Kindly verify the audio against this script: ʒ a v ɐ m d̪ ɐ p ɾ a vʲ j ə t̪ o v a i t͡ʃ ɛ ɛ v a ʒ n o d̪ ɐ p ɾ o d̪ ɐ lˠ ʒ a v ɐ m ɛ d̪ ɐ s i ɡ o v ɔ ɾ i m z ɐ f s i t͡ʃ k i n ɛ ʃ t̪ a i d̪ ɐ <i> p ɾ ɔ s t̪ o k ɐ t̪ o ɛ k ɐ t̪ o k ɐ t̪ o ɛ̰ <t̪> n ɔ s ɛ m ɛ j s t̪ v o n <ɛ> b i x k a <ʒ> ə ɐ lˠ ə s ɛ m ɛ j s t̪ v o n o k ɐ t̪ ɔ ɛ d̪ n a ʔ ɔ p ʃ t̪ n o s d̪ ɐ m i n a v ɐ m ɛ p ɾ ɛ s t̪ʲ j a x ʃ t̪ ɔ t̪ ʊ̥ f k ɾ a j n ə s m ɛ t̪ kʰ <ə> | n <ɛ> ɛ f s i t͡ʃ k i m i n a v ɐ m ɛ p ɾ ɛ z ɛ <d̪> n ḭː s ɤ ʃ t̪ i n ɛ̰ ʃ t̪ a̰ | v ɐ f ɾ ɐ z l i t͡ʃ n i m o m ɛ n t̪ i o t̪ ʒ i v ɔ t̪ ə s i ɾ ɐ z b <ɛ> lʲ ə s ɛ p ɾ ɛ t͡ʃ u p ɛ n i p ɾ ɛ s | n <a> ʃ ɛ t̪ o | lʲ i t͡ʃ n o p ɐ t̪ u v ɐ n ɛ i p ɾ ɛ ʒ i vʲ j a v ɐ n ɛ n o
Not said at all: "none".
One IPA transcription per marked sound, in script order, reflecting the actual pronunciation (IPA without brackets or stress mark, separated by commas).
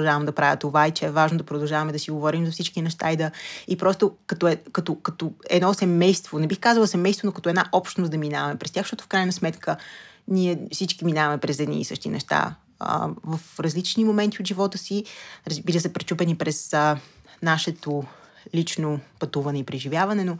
i, d̪, ɛ, z, ə, i, d̪, i, a